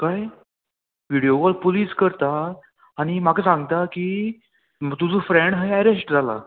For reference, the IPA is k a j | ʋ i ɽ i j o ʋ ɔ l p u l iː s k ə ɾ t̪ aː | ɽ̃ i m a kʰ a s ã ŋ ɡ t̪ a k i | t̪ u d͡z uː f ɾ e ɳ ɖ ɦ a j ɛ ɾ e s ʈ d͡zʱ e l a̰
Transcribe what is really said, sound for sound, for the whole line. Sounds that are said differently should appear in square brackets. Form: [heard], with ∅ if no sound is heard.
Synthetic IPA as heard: k a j | ʋ i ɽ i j o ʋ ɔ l p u l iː s k ə ɾ t̪ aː | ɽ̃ i m a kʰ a s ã ŋ ɡ t̪ a k i | t̪ u d͡z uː f ɾ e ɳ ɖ ɦ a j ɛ ɾ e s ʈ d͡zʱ [a] l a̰